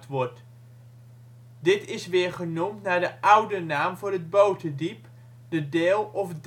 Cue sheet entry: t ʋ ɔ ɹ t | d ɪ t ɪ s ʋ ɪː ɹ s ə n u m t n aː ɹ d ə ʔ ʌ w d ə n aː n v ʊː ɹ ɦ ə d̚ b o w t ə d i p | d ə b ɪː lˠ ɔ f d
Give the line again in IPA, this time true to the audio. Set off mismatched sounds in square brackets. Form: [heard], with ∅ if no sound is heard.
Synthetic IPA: t ʋ ɔ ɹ t | d ɪ t ɪ s ʋ ɪː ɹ [χ] ə n u m t n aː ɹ d ə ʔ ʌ w d ə n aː [m] v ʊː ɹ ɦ ə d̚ b o w t ə d i p | d ə [d] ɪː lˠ ɔ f d

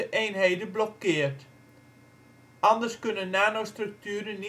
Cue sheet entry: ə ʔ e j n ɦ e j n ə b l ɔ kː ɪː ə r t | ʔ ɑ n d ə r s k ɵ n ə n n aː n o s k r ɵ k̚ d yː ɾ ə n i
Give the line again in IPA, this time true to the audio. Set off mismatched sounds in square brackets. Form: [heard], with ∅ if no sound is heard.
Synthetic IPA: ə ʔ e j n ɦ e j [d] ə b l ɔ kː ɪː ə r t | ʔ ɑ n d ə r s k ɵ n ə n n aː n o s [t] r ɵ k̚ [t] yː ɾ ə n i

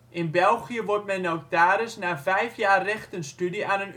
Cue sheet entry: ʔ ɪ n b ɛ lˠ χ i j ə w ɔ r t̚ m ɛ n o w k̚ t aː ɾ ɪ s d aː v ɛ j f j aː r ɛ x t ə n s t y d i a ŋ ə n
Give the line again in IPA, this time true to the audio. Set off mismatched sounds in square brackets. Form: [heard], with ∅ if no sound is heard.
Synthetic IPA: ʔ ɪ n b ɛ lˠ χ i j ə [ʋ] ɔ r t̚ m ɛ n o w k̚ t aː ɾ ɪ s [n] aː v ɛ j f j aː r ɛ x t ə n s t y d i a [n] ə n

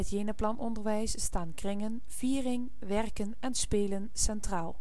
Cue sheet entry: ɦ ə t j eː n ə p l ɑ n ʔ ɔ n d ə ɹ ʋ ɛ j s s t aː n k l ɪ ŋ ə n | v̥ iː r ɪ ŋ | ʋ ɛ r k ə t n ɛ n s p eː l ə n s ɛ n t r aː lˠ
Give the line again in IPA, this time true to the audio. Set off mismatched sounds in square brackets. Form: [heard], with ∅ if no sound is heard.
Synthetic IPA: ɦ ə t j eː n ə p l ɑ n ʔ ɔ n d ə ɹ ʋ ɛ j s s t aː n k [r] ɪ ŋ ə n | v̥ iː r ɪ ŋ | ʋ ɛ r k ə [∅] n ɛ n s p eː l ə n s ɛ n t r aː lˠ

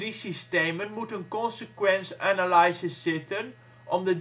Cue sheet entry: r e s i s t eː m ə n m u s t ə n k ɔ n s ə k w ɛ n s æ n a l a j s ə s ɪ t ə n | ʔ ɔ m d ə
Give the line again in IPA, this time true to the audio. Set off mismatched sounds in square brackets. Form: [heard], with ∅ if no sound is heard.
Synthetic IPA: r [i] s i s t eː m ə n m u [∅] t ə n k ɔ n s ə k w ɛ n s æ n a l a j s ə s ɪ t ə n | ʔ ɔ m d ə

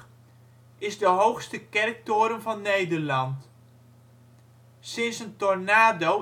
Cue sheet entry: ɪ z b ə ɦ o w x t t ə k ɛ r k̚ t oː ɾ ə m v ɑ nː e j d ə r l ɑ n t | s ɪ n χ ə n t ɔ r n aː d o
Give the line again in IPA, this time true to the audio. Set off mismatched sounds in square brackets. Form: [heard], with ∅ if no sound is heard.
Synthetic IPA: ɪ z [d] ə ɦ o w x [s] t ə k ɛ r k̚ t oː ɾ ə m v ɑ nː e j d ə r l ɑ n t | s ɪ n [s] ə n t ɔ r n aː d o

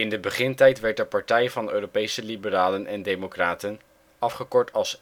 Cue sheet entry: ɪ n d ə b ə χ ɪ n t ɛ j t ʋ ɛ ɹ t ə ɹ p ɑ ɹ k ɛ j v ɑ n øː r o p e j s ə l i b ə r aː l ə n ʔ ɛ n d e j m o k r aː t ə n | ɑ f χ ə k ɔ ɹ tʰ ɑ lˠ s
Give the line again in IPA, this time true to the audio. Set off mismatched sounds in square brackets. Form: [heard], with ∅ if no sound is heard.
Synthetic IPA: ɪ n d ə b ə χ ɪ n t ɛ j t ʋ ɛ ɹ t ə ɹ p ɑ ɹ [t] ɛ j v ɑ n øː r o p e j s ə l i b ə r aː l ə n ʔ ɛ n d e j m o k r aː t ə n | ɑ f χ ə k ɔ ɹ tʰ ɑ lˠ s

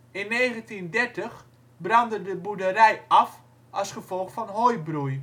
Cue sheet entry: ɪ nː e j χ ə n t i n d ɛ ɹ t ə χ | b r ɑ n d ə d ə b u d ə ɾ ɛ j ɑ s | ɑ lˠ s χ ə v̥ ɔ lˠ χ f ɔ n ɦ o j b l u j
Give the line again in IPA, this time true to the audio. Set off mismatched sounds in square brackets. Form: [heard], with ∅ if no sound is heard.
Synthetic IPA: ɪ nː e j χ ə n t i n d ɛ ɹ t ə χ | b r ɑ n d ə d ə b u d ə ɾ ɛ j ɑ [f] | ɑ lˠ s χ ə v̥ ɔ lˠ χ f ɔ n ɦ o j b [r] u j

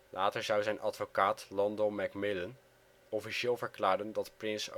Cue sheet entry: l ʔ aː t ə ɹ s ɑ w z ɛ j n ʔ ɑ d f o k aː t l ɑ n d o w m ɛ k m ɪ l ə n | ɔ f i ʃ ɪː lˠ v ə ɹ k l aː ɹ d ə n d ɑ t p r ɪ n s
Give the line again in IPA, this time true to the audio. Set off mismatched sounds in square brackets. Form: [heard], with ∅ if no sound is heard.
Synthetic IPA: l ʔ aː t ə ɹ [z] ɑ w z ɛ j n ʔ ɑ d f o k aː t l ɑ n d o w m ɛ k m ɪ l ə n | ɔ f i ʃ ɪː lˠ v ə ɹ k l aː ɹ d ə n d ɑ t p r ɪ n s

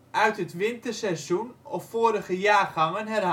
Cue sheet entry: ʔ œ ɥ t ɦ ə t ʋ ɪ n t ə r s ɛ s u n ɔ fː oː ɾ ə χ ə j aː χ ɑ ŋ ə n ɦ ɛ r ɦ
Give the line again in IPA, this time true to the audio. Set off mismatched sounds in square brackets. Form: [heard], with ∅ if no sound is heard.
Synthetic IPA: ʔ œ ɥ t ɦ ə t ʋ ɪ n t ə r s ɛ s u n ɔ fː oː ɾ ə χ ə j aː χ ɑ ŋ ə n ɦ ɛ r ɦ

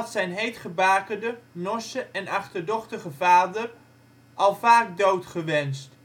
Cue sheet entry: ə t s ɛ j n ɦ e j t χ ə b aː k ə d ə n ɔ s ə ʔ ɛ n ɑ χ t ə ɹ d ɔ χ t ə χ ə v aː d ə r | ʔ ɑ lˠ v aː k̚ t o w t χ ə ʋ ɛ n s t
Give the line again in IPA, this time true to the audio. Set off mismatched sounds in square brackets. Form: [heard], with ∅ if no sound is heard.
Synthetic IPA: [ɑ] t s ɛ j n ɦ e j t χ ə b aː k ə d ə n ɔ s ə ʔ ɛ n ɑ χ t ə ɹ d ɔ χ t ə χ ə v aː d ə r | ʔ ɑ lˠ v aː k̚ [d] o w t χ ə ʋ ɛ n s t

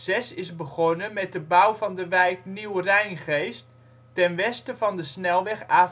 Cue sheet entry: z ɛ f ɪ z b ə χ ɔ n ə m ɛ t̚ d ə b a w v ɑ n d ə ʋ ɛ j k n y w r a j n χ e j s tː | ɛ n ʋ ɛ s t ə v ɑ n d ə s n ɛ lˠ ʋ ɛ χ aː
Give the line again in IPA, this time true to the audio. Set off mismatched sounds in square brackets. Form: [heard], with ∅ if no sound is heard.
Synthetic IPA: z ɛ [s] ɪ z b ə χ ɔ n ə m ɛ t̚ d ə b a w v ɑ n d ə ʋ ɛ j k n [i] w r [ɛ] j n χ e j s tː | ɛ n ʋ ɛ s t ə v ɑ n d ə s n ɛ lˠ ʋ ɛ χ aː

